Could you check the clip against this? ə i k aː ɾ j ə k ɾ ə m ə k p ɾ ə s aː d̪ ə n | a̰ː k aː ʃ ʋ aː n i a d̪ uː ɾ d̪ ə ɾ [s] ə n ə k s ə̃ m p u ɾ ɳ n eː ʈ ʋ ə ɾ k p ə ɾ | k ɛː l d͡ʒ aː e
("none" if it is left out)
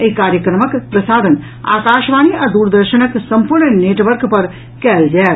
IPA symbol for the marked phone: ʃ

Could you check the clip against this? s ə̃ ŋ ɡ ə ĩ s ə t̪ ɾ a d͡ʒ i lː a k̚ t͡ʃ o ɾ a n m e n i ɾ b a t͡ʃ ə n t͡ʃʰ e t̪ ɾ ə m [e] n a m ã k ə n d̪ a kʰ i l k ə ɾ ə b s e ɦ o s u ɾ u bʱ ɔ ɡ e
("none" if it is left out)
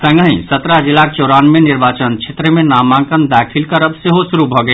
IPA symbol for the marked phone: e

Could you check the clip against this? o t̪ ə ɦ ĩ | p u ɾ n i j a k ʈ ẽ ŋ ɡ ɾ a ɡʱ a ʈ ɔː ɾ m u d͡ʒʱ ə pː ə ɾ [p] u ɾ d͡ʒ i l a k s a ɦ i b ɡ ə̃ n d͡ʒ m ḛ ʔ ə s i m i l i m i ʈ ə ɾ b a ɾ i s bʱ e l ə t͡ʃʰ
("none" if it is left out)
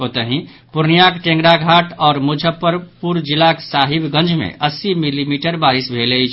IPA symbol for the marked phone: p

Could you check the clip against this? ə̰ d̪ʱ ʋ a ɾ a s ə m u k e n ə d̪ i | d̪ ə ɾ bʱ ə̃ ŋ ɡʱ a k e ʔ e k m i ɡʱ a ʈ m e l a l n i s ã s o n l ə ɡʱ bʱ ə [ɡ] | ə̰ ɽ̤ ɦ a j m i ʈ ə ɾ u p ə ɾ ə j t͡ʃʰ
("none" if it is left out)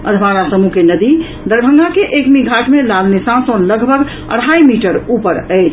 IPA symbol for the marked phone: ɡ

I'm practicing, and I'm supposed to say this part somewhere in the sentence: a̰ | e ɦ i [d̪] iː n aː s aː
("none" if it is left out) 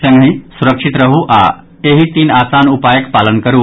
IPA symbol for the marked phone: t̪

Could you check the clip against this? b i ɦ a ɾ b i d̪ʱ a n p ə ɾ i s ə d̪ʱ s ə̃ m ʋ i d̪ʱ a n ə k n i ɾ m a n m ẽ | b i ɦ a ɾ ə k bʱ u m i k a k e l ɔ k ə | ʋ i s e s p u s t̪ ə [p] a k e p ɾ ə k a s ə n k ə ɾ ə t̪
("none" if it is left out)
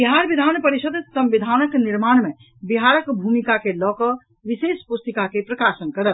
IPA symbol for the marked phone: k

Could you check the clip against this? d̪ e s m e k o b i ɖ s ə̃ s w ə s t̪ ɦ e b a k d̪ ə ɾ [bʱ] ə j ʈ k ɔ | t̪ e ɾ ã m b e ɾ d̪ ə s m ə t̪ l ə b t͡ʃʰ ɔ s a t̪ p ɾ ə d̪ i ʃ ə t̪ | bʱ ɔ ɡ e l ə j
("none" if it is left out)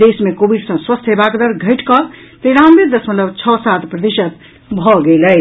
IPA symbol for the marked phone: ɡʱ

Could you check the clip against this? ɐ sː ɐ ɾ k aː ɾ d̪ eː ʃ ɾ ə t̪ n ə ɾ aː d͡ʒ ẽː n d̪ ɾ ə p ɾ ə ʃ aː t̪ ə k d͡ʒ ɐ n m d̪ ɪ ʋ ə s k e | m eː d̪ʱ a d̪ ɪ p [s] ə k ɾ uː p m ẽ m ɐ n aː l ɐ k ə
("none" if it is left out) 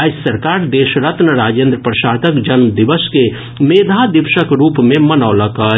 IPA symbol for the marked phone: ʃ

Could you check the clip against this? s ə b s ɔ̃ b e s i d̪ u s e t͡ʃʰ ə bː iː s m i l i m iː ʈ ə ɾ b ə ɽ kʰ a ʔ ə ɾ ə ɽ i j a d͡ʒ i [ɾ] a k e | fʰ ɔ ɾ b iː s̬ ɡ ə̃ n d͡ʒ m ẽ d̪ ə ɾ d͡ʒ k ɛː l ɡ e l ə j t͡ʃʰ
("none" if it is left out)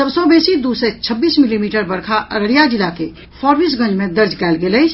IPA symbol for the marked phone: l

